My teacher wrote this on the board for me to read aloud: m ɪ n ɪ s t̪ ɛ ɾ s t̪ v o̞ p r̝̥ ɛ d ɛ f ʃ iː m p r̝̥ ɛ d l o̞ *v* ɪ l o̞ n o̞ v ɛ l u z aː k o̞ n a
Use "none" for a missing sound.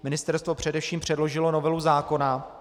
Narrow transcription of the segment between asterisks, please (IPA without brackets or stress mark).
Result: ʒ